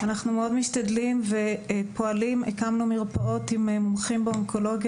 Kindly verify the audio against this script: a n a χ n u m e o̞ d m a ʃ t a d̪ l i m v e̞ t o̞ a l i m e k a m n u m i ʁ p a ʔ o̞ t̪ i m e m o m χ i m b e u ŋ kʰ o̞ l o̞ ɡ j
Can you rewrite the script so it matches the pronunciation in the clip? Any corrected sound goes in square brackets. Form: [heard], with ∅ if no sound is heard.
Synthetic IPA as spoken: a n a χ n u m e o̞ d m [i] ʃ t a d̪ l i m v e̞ [p] o̞ a l i m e k a m n u m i ʁ p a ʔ o̞ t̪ i m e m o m χ i m b e [o] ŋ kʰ o̞ l o̞ ɡ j